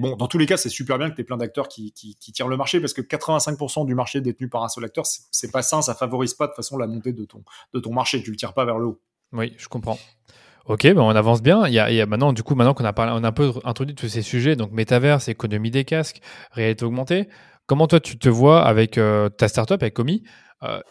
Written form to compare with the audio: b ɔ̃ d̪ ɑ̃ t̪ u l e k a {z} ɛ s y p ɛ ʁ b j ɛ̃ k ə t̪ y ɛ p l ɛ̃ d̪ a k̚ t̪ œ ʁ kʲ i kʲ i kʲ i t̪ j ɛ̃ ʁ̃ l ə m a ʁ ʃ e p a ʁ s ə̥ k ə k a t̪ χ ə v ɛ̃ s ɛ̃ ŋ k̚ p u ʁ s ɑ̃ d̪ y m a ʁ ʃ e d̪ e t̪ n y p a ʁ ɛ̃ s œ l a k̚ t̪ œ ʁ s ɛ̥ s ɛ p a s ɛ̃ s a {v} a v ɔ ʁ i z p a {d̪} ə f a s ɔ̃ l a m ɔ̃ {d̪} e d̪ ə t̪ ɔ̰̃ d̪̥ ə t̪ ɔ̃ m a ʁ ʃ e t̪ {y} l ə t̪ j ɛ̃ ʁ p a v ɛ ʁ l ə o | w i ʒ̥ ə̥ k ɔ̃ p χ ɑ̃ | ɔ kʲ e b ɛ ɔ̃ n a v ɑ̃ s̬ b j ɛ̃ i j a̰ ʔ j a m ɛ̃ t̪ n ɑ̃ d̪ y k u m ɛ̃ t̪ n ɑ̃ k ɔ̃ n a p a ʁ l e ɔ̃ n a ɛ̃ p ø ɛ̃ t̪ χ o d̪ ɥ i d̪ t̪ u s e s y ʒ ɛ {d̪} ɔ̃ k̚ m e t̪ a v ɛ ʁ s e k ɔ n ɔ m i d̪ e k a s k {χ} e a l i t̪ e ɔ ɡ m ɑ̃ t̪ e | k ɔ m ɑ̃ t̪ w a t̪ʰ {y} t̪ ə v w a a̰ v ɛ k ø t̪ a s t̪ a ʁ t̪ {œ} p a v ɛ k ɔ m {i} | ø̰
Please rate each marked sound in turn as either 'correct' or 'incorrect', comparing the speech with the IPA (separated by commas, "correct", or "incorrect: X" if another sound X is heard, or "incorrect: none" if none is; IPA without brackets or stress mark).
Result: incorrect: s, incorrect: f, correct, incorrect: t̪, correct, correct, incorrect: ʁ, correct, correct, correct